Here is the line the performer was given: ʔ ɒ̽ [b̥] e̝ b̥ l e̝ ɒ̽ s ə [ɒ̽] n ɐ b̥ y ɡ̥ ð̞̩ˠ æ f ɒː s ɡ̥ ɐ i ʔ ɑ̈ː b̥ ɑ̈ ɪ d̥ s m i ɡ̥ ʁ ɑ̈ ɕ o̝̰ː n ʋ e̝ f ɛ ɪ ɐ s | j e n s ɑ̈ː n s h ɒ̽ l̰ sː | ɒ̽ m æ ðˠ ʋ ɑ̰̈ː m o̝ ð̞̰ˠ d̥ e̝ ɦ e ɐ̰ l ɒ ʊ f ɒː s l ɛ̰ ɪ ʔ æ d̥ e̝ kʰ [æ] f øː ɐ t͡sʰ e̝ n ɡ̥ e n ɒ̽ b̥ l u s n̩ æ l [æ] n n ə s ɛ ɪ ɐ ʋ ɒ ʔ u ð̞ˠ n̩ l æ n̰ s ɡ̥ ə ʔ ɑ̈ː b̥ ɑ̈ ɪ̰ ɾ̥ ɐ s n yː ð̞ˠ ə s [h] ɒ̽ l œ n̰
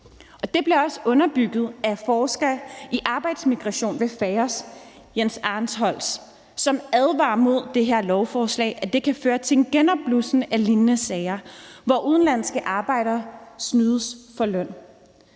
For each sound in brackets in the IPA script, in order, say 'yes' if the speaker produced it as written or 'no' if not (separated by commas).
no, no, yes, no, no